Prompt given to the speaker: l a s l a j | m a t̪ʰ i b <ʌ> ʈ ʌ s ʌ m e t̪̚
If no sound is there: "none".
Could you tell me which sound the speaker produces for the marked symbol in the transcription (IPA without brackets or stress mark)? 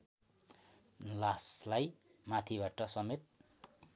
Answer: a